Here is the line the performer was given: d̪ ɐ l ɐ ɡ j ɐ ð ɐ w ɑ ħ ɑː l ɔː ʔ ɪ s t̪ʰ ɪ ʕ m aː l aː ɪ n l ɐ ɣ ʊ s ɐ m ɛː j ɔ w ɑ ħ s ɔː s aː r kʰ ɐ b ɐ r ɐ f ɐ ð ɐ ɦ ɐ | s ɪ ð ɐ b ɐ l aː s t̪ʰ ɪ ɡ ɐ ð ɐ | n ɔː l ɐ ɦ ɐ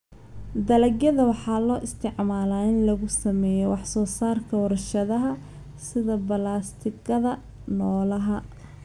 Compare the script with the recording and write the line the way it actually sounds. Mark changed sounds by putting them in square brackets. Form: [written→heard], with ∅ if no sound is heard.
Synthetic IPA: d̪ ɐ l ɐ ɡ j ɐ ð ɐ w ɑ ħ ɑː l ɔː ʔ ɪ s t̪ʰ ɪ ʕ m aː l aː ɪ n l ɐ ɣ ʊ s ɐ m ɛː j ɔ w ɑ ħ s ɔː s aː r kʰ ɐ [b→w] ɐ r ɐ [f→ʃ] ɐ ð ɐ ɦ ɐ | s ɪ ð ɐ b ɐ l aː s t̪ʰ ɪ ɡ ɐ ð ɐ | n ɔː l ɐ ɦ ɐ